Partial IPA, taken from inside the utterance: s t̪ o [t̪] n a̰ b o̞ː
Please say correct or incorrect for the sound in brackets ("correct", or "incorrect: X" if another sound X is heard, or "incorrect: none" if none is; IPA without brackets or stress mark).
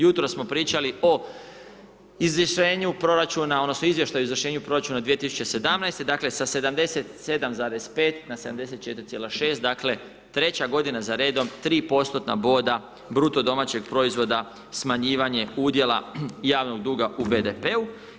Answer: correct